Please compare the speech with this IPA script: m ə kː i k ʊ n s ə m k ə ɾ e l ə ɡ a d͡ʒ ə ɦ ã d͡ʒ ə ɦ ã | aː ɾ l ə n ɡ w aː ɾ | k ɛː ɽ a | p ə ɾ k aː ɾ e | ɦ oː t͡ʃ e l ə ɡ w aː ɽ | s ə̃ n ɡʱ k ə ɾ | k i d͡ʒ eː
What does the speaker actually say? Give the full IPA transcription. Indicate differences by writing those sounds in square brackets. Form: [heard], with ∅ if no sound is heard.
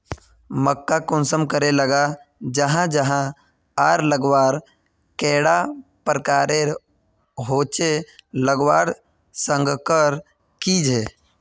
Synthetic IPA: m ə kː [a] k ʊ n s ə m k ə ɾ e l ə ɡ a d͡ʒ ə ɦ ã d͡ʒ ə ɦ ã | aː ɾ l ə [∅] ɡ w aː ɾ | k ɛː ɽ a | p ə ɾ k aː ɾ e | ɦ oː t͡ʃ e l ə ɡ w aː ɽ | s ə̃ [ŋ] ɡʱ k ə ɾ | k i d͡ʒ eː